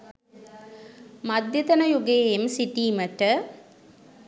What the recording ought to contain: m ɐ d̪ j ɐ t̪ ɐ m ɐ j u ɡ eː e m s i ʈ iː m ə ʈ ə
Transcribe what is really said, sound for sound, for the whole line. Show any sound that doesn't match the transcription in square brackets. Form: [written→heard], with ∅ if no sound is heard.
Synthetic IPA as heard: m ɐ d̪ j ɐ t̪ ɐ [m→n] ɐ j u ɡ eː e m s i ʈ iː m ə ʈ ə